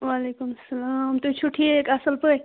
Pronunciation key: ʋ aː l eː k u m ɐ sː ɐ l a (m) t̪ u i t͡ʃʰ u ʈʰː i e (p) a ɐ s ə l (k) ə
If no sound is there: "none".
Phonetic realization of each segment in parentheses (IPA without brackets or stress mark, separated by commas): m, k, p